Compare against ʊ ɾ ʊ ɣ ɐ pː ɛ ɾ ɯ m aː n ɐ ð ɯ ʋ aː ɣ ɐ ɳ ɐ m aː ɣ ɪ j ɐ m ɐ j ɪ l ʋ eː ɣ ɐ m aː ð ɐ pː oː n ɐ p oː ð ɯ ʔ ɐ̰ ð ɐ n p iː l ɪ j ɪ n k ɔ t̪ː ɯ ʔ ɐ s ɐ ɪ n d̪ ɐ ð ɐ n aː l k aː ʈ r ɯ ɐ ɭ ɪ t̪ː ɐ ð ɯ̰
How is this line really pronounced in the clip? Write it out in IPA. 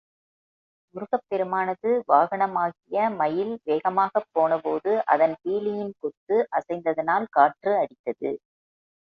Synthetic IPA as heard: ʊ ɾ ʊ ɣ ɐ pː ɛ ɾ ɯ m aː n ɐ ð ɯ ʋ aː ɣ ɐ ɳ ɐ m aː ɣ ɪ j ɐ m ɐ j ɪ l ʋ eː ɣ ɐ m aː ɣ ɐ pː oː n ɐ p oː ð ɯ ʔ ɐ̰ ð ɐ n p iː l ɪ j ɪ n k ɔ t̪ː ɯ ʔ ɐ s ɐ ɪ n d̪ ɐ ð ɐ n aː l k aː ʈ r ɯ ɐ ɽ ɪ t̪ː ɐ ð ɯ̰